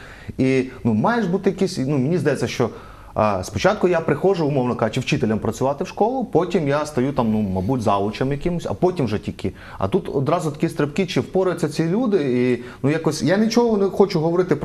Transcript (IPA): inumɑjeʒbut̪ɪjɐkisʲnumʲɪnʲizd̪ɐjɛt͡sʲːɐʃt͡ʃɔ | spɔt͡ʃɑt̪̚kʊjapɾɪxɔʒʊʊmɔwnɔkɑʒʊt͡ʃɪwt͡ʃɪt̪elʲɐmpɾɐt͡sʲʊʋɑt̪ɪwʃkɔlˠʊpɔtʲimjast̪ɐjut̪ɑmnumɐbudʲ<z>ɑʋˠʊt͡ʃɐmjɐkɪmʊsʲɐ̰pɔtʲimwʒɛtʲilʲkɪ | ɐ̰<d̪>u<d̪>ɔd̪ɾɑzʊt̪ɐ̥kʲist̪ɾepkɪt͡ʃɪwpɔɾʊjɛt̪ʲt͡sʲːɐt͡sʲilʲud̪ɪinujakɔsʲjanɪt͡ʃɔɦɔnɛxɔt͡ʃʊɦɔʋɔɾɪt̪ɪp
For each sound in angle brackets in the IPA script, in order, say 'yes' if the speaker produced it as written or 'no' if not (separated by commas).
yes, no, no